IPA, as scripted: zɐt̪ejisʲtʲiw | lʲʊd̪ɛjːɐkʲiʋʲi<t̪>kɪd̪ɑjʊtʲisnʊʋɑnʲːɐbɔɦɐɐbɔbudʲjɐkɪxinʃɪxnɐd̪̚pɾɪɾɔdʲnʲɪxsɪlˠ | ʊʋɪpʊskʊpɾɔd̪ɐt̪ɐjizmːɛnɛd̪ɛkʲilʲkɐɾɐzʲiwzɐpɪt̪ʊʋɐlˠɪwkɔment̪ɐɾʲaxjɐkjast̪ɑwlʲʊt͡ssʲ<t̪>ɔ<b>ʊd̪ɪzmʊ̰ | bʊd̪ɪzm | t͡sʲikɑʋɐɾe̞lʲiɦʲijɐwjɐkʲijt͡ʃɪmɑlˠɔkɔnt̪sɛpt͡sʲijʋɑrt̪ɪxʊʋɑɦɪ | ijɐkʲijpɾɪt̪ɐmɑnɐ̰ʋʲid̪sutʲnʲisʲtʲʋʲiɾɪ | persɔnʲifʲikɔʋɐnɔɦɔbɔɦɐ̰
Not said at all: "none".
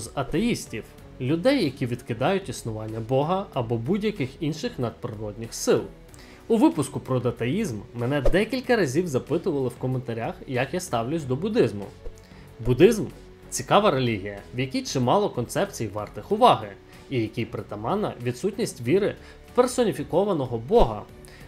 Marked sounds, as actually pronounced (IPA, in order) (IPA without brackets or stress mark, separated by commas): d̪, d̪, b